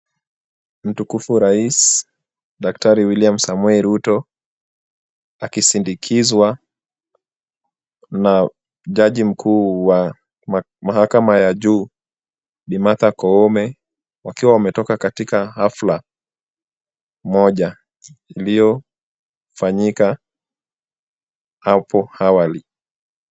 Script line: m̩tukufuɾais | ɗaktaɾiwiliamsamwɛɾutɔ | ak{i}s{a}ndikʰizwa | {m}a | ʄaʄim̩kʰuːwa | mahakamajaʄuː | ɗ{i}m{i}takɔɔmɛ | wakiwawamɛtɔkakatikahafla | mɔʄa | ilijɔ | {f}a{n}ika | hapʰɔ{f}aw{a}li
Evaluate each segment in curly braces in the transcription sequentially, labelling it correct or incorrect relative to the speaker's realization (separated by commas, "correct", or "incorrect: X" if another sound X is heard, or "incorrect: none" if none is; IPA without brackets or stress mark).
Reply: correct, incorrect: i, incorrect: n, correct, incorrect: a, correct, incorrect: ɲ, incorrect: h, correct